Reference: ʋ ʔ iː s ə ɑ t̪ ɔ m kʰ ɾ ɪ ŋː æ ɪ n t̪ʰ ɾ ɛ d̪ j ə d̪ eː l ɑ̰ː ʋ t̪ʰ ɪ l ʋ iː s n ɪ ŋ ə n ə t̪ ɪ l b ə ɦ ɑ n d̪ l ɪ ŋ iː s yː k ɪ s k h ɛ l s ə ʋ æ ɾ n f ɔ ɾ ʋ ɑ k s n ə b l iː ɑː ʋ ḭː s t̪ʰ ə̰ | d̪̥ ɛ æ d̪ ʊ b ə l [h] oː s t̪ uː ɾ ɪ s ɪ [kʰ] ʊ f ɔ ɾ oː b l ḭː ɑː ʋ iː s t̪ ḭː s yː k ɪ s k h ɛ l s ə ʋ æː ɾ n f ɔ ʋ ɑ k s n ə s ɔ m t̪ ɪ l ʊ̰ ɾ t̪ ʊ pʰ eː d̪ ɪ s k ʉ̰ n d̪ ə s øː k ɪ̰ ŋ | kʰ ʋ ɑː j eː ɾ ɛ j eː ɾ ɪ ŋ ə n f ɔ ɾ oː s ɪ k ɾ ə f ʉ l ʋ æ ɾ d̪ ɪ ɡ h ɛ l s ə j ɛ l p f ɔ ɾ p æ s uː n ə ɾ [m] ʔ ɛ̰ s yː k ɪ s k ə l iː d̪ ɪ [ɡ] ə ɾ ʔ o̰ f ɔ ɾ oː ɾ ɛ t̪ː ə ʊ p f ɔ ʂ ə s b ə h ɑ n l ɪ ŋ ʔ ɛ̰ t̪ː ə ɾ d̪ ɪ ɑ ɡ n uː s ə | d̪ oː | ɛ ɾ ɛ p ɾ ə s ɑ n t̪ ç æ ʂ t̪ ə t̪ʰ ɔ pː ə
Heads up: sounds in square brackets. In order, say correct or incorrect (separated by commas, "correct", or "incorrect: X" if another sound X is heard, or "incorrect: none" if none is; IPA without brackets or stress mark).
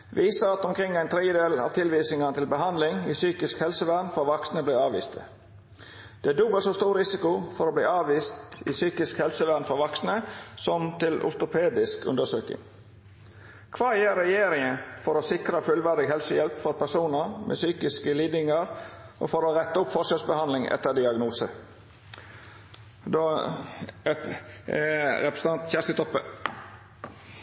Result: incorrect: s, incorrect: k, correct, incorrect: ŋ